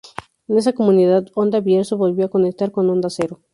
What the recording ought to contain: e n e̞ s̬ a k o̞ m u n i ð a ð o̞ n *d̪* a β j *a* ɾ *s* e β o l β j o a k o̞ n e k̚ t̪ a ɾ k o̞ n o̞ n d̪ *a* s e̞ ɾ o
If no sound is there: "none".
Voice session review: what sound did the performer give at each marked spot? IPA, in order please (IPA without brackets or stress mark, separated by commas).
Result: d̪, e, s, a